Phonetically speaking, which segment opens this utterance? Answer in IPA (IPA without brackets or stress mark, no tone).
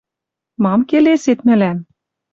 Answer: m